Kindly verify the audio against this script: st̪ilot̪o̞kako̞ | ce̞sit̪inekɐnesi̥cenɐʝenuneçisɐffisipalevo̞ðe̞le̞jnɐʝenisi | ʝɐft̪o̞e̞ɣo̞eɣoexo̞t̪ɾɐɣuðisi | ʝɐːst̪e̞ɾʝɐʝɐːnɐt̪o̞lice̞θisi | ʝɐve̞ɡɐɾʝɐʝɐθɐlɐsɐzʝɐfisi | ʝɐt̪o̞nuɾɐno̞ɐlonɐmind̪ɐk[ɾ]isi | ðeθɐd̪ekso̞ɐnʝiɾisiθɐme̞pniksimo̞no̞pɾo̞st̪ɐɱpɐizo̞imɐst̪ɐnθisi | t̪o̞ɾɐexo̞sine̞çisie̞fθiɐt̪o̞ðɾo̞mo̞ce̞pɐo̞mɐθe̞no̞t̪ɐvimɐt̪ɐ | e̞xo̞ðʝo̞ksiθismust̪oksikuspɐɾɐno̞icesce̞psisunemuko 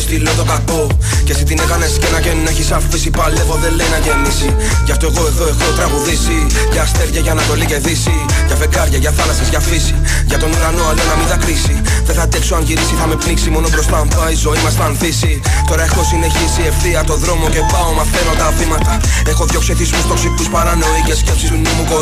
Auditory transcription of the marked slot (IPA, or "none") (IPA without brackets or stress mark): ɾ